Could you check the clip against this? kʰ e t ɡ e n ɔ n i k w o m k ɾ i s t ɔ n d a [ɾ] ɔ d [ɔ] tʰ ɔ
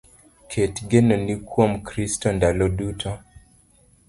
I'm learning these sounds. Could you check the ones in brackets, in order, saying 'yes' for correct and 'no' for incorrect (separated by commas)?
no, no